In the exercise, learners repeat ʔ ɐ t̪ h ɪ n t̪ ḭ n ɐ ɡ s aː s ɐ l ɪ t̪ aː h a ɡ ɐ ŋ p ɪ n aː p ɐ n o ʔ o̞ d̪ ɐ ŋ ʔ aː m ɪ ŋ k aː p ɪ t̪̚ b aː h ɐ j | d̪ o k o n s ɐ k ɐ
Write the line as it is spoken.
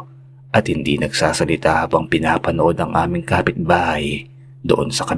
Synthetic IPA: ʔ ɐ t̪ h ɪ n d̪ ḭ n ɐ ɡ s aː s ɐ l ɪ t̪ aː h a b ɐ ŋ p ɪ n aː p ɐ n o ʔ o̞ d̪ ɐ ŋ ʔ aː m ɪ ŋ k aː p ɪ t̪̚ b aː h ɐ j | d̪ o ʔ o n s ɐ k ɐ